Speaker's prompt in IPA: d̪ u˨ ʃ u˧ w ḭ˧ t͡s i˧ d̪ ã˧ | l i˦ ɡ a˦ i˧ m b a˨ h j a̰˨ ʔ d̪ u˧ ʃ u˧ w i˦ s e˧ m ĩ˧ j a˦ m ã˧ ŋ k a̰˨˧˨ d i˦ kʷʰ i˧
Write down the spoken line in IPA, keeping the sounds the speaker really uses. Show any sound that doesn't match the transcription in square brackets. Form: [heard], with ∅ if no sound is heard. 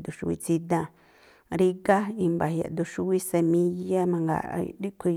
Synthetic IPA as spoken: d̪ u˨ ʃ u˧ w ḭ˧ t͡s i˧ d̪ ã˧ | [ɾ] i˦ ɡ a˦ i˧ m b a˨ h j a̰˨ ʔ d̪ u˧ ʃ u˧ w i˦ s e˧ m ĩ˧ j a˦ m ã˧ ŋ [ɡ] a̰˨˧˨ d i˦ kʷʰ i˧